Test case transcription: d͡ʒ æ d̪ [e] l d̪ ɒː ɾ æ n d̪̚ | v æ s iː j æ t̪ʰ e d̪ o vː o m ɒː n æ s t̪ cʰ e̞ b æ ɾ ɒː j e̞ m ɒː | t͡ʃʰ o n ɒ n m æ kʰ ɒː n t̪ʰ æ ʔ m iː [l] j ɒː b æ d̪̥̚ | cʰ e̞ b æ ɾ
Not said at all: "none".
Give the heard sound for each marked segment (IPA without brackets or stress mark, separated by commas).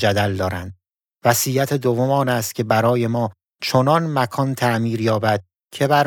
æ, ɾ